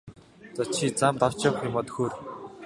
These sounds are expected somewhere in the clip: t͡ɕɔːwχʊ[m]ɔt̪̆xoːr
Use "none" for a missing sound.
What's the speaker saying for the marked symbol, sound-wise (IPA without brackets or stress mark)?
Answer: m